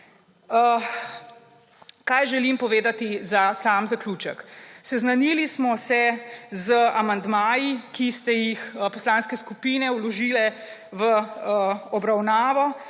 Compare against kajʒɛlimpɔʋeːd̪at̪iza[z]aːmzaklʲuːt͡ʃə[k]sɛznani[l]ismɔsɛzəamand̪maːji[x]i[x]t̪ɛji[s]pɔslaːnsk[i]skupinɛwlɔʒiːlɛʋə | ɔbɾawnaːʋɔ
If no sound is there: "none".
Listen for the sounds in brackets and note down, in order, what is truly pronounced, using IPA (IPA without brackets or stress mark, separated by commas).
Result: s, k, l, k, s, x, ɛ